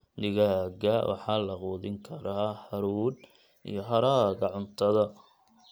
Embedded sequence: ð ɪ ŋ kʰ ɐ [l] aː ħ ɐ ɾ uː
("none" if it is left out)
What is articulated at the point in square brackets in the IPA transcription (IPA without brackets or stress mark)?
ɾ